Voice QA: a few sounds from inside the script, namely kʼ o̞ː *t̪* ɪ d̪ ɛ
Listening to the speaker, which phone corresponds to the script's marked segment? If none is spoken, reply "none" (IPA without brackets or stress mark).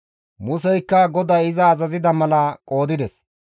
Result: d̪